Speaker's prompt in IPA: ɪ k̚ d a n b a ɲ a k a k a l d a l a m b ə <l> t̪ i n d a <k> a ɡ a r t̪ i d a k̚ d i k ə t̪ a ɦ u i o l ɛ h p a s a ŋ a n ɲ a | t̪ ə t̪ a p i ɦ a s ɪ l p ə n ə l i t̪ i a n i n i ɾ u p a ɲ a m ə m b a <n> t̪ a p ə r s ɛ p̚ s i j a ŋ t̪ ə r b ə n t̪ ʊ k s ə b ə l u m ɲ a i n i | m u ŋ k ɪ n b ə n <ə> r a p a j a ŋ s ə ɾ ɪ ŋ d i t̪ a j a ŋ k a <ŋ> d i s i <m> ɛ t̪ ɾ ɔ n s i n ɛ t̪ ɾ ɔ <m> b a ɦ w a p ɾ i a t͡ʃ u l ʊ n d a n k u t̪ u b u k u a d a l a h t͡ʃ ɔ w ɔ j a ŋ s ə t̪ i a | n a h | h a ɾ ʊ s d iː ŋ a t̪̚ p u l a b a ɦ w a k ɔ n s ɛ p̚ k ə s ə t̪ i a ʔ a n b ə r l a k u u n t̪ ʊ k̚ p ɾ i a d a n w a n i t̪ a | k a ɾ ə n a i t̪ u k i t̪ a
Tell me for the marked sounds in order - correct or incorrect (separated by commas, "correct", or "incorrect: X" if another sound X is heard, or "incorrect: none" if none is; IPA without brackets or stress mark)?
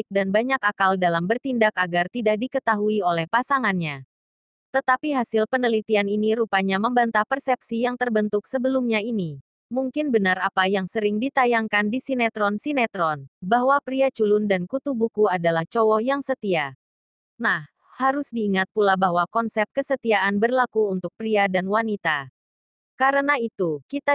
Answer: incorrect: r, correct, correct, incorrect: a, incorrect: n, incorrect: n, incorrect: n